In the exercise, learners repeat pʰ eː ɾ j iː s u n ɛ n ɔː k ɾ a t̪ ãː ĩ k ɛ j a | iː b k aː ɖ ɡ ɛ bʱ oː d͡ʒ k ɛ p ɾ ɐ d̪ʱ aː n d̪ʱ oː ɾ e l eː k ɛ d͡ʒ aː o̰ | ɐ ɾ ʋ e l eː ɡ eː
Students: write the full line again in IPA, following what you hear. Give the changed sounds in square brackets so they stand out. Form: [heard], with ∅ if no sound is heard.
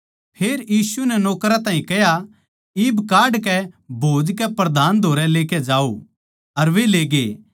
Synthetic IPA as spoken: pʰ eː ɾ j iː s u n ɛ n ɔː k ɾ a t̪ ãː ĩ k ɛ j a | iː b k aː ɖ [k] ɛ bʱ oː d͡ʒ k ɛ p ɾ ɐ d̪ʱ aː n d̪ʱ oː ɾ [ɛ] l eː k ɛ d͡ʒ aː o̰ | ɐ ɾ ʋ e l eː ɡ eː